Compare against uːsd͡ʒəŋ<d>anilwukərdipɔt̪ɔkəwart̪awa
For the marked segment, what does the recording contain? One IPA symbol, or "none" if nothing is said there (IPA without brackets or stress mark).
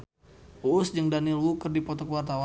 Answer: d